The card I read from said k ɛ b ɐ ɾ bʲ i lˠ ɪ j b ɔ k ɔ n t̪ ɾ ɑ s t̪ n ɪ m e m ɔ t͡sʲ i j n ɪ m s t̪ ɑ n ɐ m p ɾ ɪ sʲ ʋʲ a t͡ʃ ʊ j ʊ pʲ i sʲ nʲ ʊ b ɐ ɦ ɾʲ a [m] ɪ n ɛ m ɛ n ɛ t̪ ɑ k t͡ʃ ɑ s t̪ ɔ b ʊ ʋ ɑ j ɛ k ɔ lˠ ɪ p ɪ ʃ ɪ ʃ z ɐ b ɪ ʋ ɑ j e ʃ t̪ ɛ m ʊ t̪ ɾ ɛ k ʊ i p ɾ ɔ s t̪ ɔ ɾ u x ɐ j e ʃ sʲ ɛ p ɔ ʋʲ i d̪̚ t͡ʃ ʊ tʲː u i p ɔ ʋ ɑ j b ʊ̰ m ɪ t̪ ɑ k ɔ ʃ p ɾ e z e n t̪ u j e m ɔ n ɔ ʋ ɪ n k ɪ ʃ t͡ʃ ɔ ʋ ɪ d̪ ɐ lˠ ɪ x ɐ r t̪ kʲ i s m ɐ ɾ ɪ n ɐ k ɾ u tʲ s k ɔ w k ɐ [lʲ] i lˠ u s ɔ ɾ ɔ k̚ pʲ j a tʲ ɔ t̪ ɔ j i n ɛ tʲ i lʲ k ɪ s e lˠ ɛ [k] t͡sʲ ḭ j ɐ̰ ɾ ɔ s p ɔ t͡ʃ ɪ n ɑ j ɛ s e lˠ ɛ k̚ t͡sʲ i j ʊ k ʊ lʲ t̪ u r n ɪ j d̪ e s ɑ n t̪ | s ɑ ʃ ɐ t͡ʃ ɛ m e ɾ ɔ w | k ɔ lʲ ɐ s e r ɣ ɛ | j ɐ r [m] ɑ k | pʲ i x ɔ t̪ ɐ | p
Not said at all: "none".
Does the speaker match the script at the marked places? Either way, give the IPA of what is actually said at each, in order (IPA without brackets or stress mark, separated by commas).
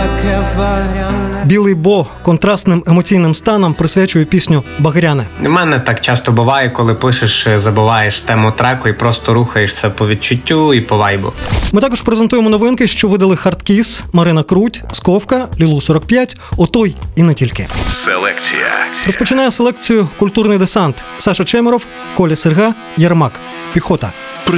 n, lʲ, k, m